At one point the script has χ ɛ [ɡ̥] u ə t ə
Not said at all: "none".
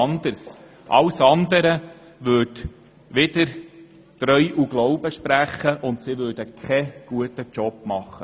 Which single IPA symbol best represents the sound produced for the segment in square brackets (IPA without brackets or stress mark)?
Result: ɡ̥